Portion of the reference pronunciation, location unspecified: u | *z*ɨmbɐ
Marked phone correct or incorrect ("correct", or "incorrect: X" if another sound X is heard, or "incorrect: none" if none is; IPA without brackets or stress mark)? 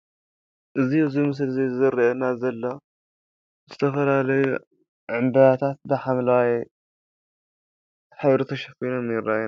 incorrect: ʕ